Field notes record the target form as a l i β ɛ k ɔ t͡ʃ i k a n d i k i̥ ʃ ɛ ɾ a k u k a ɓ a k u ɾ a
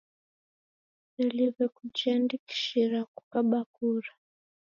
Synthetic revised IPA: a l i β ɛ k u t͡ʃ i a n d i k i̥ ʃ i ɾ a k u k a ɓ a k u ɾ a